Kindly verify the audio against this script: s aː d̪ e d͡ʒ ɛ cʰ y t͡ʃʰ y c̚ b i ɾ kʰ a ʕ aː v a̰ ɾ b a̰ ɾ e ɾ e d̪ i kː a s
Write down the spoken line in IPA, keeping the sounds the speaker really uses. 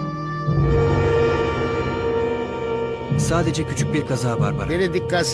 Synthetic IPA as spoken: s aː d̪ e d͡ʒ ɛ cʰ y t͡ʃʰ y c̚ b i ɾ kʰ a z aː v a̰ ɾ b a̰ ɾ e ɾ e d̪ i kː a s